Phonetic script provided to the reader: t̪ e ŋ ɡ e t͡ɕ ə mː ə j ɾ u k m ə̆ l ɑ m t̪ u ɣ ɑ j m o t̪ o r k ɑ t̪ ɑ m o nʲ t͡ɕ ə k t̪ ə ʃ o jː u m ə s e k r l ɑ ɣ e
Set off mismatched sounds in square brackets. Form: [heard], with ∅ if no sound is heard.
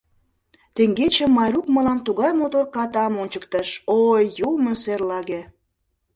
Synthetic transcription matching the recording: t̪ e ŋ ɡ e t͡ɕ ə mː [ɑ] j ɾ u k m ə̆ l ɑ m t̪ u ɣ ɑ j m o t̪ o r k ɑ t̪ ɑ m o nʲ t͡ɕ ə k t̪ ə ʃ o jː u m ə s e [∅] r l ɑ ɣ e